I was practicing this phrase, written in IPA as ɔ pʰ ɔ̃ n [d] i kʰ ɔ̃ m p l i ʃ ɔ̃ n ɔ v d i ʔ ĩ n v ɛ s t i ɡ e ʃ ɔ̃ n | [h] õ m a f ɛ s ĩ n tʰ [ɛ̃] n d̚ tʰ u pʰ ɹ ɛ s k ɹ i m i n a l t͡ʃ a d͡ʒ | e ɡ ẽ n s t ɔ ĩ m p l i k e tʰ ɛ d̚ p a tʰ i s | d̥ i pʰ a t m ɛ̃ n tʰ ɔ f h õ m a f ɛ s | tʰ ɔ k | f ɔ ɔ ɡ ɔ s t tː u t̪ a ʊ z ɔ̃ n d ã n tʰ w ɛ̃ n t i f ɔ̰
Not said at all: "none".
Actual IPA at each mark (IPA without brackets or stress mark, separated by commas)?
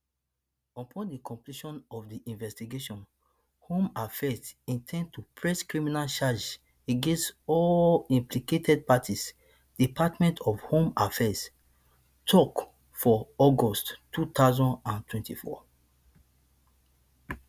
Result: d, h, ɛ̃